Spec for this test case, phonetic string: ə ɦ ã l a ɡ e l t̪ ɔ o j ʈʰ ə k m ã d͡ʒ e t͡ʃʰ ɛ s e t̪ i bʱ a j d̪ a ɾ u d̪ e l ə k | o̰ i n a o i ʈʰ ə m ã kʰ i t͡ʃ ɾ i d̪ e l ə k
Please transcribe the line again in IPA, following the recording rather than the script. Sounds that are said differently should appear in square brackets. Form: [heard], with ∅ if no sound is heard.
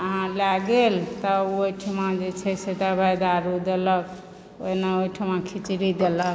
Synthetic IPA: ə ɦ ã l a ɡ e l t̪ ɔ o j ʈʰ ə [∅] m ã d͡ʒ e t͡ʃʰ ɛ s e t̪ [a] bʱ a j d̪ a ɾ u d̪ e l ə k | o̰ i n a o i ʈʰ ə m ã kʰ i t͡ʃ ɾ i d̪ e l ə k